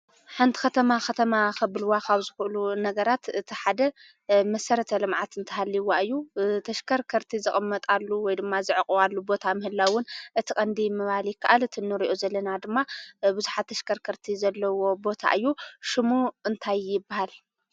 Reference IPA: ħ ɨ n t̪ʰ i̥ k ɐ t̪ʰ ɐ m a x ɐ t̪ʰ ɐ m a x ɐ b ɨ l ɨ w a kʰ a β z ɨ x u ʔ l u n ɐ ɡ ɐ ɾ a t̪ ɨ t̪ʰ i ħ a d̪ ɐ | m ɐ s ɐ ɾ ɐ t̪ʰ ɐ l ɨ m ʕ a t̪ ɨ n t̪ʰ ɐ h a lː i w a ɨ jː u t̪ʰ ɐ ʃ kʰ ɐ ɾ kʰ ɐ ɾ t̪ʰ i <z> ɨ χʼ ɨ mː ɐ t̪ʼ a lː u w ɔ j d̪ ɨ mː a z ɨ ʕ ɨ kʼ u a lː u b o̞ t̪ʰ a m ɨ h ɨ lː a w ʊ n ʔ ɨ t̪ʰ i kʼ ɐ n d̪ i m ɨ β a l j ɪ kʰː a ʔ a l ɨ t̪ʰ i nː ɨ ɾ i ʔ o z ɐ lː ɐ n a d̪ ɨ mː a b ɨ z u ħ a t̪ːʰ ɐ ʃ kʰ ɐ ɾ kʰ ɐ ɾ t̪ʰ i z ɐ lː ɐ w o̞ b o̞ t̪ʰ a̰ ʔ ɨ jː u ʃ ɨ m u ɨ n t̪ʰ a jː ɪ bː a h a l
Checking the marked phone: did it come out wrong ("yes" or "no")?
no